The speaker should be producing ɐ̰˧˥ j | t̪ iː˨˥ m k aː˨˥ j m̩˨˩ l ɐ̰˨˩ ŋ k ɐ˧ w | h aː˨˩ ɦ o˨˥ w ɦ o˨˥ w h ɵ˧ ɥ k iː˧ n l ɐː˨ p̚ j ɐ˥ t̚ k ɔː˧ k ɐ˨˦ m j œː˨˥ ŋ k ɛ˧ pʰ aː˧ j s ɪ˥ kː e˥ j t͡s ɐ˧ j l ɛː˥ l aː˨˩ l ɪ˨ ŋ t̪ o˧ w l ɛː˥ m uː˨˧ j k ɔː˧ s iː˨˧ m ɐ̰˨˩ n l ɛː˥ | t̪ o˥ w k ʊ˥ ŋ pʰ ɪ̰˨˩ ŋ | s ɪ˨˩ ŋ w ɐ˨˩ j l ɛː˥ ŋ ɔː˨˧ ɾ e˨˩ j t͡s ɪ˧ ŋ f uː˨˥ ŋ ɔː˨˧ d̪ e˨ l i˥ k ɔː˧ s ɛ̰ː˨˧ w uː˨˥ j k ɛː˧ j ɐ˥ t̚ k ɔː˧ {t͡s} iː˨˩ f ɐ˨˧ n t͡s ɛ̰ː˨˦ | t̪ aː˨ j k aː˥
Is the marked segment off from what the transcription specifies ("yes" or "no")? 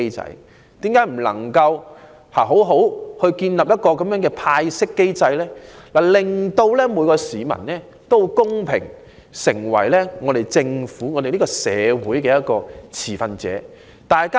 yes